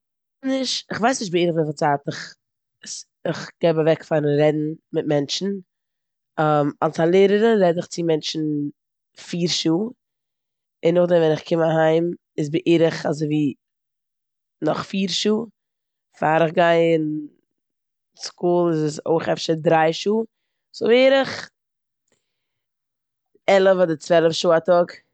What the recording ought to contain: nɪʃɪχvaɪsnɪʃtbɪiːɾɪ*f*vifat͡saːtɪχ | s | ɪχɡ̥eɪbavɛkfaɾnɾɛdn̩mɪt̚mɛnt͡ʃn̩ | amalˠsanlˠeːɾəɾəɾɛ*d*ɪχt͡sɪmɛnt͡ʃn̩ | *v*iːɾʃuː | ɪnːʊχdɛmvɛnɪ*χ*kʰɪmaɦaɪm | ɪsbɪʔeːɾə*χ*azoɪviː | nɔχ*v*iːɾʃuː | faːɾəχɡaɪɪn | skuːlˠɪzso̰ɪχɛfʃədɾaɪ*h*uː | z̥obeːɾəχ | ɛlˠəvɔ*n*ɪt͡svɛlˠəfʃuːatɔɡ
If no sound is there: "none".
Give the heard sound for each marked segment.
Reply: χ, d, f, χ, χ, f, ʃ, d

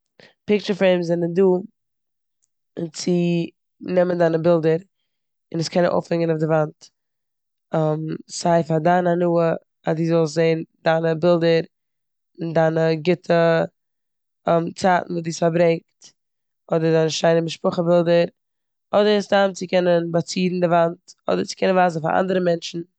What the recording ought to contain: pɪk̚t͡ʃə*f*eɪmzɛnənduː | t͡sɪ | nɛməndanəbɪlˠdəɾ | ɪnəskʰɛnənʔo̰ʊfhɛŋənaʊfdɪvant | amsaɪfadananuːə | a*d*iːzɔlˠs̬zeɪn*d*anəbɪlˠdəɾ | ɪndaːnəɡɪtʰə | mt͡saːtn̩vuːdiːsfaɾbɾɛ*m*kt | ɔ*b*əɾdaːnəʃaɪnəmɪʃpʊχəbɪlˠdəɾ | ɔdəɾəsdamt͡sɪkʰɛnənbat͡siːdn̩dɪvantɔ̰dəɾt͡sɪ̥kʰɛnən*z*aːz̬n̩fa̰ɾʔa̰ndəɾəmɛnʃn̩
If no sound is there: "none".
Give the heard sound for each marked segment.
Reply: f, d, d, ŋ, d, v

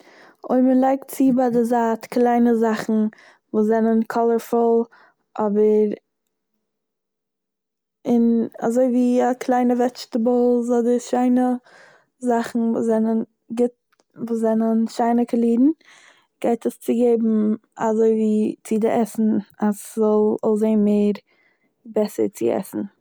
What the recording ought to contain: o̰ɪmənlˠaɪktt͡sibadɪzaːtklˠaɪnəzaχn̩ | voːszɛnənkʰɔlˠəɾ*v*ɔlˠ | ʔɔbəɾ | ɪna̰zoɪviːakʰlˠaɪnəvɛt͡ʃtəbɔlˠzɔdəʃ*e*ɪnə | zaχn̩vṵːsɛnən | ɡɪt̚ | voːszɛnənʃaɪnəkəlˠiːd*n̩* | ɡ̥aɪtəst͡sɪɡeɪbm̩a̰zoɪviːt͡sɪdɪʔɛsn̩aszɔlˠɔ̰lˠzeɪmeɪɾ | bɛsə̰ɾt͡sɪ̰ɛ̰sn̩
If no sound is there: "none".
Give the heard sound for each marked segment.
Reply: f, a, n̩

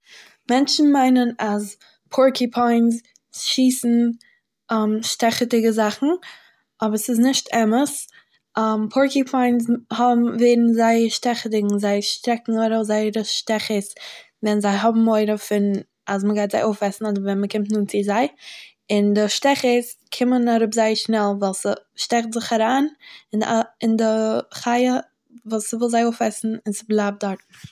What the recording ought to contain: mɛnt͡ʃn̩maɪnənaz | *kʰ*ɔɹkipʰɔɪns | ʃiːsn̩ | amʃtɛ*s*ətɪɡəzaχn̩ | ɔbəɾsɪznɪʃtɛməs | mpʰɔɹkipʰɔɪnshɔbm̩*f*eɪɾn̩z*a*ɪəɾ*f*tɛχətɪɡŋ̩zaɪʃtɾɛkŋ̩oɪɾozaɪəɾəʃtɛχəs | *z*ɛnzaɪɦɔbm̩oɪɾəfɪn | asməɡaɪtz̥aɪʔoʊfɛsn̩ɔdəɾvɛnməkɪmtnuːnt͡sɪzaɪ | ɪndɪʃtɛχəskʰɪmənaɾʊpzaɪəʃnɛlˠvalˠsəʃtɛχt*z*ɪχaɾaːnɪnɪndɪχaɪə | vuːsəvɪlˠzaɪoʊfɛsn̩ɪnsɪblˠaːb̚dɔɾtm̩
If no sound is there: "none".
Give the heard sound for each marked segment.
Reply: pʰ, χ, v, a, ʃ, v, z

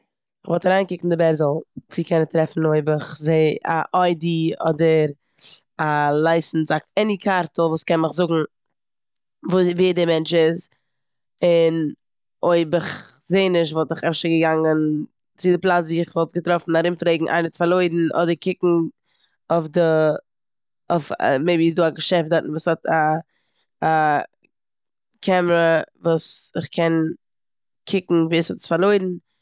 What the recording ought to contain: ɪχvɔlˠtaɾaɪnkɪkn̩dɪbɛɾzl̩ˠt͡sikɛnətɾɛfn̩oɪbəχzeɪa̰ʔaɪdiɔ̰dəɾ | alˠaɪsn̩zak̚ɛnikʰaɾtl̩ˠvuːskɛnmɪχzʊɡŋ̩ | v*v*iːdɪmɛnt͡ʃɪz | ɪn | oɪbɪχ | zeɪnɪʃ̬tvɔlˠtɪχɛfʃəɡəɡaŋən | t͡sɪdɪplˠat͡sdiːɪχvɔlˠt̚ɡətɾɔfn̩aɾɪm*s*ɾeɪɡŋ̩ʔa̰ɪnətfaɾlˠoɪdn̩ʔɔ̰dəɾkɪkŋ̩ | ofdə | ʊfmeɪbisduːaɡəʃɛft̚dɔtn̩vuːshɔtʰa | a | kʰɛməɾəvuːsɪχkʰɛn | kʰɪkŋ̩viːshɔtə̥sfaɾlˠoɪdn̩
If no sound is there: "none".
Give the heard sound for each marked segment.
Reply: v, f

